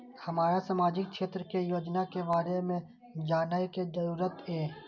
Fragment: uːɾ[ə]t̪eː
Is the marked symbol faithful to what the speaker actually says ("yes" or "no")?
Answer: yes